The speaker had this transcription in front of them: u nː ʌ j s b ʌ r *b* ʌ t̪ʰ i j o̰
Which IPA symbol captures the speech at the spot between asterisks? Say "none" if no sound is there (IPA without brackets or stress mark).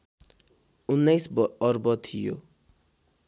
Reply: b